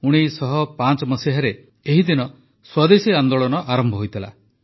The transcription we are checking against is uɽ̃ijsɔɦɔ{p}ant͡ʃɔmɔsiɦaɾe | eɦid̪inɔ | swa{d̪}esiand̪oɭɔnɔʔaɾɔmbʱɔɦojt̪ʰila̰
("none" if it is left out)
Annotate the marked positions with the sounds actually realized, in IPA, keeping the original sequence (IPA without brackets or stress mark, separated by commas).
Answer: p, d̪